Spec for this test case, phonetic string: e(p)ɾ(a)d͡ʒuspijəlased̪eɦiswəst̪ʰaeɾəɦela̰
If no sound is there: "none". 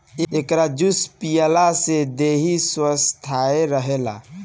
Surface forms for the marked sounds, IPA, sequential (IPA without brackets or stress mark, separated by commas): k, a